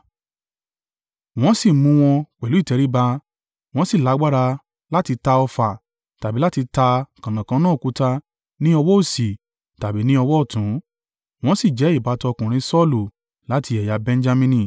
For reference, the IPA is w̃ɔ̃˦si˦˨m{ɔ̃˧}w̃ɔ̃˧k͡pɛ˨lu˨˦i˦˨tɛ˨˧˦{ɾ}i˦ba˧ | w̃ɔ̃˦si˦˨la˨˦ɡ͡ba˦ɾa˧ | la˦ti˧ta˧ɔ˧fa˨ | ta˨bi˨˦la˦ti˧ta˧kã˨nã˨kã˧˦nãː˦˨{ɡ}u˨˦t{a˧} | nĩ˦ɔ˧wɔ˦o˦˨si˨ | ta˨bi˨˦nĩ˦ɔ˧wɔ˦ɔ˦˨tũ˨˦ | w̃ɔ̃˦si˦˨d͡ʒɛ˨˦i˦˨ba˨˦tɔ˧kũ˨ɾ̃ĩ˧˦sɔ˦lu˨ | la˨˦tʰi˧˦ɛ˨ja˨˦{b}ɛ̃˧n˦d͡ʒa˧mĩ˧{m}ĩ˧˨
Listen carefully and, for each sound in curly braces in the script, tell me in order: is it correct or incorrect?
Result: incorrect: ũ˧, correct, incorrect: k, correct, correct, incorrect: n

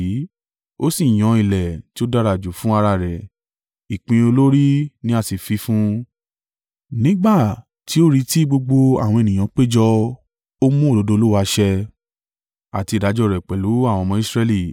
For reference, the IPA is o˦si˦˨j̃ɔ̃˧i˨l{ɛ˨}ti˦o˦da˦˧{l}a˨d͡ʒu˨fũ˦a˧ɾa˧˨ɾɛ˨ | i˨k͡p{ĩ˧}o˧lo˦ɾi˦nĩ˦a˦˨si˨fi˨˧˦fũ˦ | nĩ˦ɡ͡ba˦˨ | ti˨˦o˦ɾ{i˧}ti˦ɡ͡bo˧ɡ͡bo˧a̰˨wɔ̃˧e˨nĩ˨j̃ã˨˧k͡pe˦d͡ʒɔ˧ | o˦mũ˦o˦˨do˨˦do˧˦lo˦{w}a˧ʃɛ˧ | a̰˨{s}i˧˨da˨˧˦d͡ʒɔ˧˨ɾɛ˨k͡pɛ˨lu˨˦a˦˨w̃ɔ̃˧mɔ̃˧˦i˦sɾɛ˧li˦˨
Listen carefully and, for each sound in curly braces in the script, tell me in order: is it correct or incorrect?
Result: correct, incorrect: ɾ, correct, correct, correct, incorrect: t

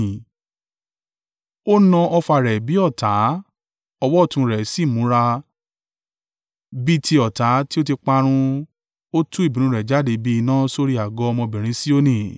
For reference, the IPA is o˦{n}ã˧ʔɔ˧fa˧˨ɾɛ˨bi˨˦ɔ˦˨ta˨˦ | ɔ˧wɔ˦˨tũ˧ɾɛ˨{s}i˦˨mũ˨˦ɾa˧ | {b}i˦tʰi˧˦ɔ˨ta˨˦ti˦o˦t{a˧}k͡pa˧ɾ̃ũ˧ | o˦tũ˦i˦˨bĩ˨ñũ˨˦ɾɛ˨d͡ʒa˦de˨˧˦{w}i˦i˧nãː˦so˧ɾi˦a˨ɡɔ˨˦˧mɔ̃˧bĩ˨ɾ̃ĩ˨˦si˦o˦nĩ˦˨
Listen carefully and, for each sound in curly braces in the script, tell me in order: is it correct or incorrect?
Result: correct, correct, correct, incorrect: i˧, incorrect: b

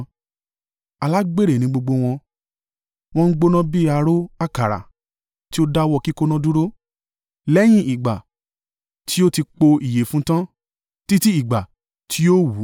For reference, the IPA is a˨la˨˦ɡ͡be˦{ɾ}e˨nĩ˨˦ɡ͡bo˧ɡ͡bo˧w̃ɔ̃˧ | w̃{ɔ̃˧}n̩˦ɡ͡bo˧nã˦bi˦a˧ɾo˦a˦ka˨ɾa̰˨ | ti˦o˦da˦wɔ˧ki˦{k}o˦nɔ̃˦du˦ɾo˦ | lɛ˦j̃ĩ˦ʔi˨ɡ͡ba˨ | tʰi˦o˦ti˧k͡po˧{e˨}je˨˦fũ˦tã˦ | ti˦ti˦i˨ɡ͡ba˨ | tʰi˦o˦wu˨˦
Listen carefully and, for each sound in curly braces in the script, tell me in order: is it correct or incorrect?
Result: correct, correct, correct, incorrect: i˨

